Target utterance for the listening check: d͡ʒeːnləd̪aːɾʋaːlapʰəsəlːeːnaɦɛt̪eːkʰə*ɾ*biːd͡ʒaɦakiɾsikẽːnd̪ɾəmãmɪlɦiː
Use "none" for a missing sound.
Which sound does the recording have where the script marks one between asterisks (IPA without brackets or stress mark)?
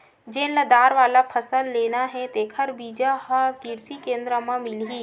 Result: ɾ